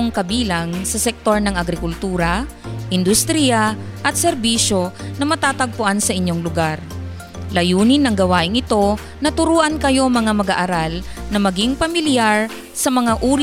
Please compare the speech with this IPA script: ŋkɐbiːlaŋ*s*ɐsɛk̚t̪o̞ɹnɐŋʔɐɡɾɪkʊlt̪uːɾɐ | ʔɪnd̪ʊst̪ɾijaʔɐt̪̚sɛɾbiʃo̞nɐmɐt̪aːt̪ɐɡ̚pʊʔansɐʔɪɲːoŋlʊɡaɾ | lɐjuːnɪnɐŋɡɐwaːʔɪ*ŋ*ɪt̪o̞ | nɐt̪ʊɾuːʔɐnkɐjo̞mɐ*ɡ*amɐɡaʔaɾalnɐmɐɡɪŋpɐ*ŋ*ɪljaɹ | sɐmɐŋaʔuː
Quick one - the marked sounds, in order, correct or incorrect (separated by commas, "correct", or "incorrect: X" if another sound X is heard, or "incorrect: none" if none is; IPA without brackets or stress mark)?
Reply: correct, correct, incorrect: ŋ, incorrect: m